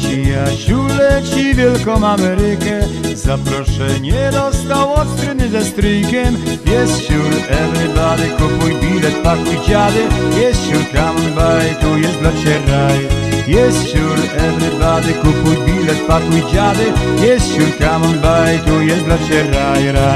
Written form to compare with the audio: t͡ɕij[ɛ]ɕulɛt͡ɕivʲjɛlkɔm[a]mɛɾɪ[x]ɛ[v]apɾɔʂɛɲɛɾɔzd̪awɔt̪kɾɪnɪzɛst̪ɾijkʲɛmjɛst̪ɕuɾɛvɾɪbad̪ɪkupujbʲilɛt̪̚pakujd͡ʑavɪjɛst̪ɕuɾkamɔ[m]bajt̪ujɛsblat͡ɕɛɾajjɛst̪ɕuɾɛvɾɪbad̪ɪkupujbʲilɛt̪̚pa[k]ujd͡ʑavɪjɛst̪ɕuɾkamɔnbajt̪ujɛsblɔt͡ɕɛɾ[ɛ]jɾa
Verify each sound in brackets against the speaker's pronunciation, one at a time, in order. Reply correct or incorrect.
incorrect, correct, incorrect, incorrect, incorrect, correct, incorrect

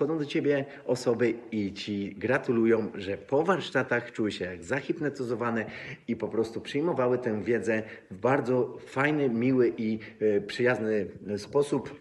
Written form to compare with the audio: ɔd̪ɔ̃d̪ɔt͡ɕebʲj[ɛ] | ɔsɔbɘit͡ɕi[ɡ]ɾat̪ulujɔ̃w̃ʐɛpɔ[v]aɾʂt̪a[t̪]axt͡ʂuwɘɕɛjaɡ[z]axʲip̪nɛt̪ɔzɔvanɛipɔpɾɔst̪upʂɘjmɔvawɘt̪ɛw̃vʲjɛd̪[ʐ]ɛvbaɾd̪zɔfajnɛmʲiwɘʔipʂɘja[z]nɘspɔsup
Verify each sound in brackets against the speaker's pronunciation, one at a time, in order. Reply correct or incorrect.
correct, correct, correct, correct, correct, incorrect, correct

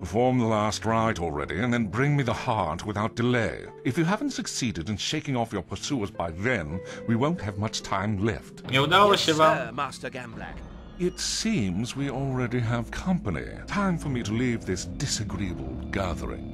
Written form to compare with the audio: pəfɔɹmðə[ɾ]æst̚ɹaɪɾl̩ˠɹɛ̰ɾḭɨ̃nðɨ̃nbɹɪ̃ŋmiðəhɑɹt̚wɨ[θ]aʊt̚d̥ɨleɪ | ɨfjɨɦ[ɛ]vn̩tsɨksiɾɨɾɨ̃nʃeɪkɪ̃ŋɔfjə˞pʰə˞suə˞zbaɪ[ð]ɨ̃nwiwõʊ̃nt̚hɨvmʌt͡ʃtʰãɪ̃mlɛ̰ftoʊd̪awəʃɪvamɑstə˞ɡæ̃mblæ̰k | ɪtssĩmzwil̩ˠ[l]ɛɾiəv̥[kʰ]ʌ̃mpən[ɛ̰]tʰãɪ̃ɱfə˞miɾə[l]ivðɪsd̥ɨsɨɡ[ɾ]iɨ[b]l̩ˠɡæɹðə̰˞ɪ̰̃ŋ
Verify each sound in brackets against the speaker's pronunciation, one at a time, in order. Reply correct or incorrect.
incorrect, correct, incorrect, correct, incorrect, correct, incorrect, correct, incorrect, correct

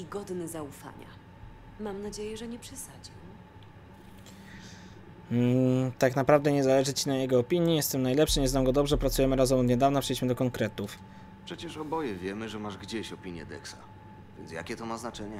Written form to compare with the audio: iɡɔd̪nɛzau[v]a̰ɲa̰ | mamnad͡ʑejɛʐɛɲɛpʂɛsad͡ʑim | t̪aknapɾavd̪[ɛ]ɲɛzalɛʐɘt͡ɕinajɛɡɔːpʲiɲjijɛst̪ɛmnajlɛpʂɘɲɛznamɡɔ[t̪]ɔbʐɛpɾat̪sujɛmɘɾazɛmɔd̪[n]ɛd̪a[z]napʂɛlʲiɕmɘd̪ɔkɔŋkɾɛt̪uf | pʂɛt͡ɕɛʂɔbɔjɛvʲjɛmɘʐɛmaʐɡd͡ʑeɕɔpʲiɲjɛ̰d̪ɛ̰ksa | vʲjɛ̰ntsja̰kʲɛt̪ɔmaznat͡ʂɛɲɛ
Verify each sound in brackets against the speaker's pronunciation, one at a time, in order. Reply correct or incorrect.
incorrect, correct, incorrect, incorrect, incorrect

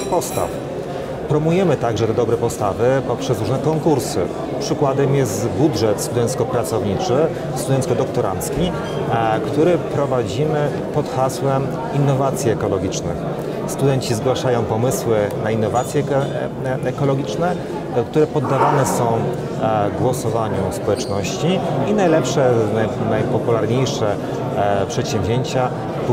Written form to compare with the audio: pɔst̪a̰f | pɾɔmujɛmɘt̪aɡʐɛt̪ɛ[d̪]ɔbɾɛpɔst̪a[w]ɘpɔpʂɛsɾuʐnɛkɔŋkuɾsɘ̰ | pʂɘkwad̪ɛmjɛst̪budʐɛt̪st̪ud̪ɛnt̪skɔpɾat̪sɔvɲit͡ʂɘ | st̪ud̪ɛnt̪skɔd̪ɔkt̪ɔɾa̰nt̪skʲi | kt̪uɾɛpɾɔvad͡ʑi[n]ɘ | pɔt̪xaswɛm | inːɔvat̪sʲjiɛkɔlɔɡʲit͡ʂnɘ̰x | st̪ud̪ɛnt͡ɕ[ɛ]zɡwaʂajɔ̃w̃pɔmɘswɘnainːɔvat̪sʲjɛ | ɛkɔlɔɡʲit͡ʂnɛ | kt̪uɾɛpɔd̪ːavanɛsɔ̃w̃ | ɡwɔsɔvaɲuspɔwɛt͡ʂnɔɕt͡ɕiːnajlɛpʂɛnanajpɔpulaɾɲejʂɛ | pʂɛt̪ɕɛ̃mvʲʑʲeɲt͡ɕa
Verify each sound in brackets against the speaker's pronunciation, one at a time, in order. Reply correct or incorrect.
correct, incorrect, incorrect, incorrect

